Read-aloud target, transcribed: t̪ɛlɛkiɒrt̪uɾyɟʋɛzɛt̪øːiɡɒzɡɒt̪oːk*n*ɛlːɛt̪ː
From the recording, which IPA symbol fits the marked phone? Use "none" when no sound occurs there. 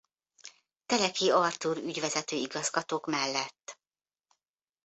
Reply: m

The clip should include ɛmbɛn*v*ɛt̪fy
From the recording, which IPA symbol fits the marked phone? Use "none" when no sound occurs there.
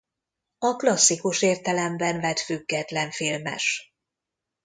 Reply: v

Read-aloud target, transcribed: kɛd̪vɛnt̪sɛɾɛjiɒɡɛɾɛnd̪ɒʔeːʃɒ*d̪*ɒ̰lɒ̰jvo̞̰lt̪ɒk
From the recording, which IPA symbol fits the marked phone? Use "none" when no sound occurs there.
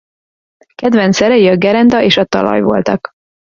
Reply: t̪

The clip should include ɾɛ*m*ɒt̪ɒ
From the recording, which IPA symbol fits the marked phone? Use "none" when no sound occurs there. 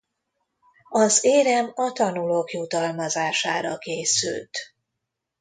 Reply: m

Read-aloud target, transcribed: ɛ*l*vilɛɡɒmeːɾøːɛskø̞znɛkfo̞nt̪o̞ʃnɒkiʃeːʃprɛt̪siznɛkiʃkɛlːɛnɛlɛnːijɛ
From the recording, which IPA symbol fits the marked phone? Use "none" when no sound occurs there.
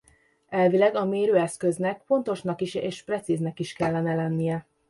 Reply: l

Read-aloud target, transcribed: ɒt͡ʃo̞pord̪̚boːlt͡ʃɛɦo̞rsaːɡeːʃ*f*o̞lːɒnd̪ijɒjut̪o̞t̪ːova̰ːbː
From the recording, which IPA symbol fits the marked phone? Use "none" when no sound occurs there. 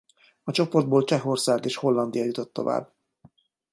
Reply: h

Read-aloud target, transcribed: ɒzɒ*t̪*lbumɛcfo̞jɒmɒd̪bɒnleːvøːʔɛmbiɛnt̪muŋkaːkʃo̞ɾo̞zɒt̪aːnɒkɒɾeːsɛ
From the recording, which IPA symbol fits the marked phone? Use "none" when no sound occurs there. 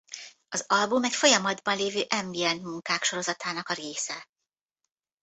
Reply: none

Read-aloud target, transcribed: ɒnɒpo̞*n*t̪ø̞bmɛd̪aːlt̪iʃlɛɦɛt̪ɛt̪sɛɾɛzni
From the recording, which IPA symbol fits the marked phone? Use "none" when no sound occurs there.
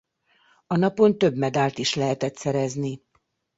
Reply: n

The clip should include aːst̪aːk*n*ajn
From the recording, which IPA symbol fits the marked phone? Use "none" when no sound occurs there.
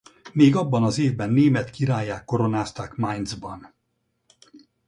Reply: m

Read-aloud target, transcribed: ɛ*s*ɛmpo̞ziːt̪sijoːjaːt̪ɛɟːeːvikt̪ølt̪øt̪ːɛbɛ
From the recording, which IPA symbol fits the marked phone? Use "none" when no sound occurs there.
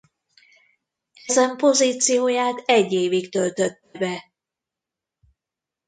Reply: z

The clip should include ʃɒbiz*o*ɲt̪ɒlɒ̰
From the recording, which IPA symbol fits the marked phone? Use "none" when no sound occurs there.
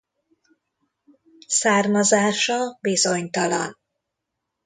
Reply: o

